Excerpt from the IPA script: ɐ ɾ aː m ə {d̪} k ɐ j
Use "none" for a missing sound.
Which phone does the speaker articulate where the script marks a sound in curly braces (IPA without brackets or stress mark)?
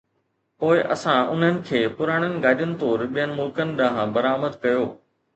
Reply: d̪